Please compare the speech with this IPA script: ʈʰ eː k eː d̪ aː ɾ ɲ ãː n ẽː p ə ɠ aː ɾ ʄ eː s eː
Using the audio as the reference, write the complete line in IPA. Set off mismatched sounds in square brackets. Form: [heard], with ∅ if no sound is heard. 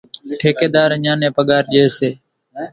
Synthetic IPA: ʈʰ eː k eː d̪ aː ɾ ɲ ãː n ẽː p ə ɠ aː ɾ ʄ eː s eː